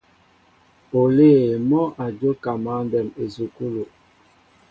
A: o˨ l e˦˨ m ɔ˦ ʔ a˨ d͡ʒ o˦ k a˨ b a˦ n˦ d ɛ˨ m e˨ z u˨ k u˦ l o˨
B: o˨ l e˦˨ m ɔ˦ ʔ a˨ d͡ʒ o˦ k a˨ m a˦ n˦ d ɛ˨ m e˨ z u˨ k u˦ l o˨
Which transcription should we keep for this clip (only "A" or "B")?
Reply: B